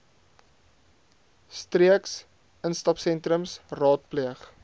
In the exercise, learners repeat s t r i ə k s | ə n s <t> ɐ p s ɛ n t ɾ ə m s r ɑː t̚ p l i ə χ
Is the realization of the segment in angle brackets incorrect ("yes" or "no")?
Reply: no